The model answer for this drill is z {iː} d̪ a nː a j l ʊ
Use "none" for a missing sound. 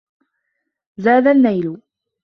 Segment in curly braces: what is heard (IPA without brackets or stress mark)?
aː